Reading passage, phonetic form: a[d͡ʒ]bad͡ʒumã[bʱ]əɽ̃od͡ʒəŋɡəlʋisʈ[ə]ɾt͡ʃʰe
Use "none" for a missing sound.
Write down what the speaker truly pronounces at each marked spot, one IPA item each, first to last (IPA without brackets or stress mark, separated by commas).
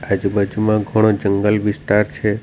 d͡ʒ, ɡʱ, a